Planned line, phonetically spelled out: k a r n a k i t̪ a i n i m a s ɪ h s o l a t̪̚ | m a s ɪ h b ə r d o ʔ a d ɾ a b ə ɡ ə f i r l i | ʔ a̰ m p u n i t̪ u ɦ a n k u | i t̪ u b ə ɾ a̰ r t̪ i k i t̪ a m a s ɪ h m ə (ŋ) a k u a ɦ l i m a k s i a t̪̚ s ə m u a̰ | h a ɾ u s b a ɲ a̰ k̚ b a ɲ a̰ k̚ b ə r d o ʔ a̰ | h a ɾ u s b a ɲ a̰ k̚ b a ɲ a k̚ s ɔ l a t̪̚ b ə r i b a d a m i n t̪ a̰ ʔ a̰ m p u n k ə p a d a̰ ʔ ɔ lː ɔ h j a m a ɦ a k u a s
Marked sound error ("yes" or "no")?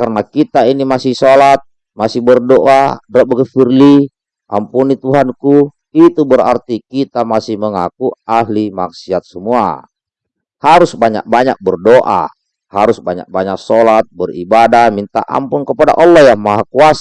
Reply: no